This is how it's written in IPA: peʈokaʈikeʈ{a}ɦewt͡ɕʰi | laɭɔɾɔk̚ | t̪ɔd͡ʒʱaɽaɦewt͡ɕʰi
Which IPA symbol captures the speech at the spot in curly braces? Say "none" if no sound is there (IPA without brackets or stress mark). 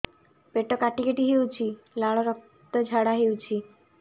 i